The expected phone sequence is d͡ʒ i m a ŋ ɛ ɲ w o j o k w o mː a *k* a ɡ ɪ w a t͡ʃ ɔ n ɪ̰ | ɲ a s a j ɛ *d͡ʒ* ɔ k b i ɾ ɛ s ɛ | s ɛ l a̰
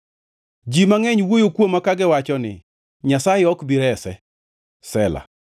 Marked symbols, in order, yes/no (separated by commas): yes, no